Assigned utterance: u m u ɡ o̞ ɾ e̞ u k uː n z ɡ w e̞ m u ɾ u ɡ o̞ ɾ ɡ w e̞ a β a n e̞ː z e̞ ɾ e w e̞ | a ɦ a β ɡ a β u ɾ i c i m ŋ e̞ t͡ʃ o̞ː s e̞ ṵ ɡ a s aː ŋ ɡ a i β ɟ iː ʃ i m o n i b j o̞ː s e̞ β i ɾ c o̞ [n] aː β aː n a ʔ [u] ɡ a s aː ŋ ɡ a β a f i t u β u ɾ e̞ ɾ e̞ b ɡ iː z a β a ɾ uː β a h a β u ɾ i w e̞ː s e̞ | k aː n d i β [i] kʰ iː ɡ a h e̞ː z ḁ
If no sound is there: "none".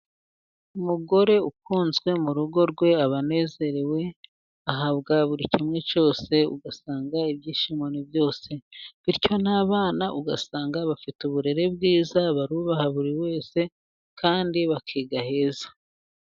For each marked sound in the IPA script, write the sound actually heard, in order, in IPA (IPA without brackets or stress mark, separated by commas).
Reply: n, u, a